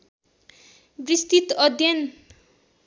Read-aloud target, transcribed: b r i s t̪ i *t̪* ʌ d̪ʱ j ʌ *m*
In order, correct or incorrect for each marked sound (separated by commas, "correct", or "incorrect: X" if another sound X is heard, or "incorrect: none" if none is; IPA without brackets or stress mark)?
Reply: correct, incorrect: n